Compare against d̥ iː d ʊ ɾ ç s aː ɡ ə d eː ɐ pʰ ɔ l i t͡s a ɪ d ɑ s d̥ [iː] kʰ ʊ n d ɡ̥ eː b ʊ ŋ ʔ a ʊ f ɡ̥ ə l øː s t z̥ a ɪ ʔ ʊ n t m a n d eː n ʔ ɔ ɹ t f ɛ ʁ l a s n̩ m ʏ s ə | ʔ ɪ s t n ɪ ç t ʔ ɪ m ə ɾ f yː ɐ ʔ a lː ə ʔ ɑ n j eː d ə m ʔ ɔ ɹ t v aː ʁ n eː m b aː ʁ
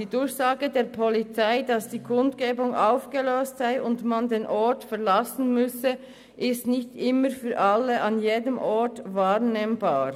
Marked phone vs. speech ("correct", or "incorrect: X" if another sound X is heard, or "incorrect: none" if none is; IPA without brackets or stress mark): correct